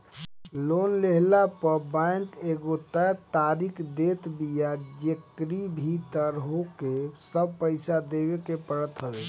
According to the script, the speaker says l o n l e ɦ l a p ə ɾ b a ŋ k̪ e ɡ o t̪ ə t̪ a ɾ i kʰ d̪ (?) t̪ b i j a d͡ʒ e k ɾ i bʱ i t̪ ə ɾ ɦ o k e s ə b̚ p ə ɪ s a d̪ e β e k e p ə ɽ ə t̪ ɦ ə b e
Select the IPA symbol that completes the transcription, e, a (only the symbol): e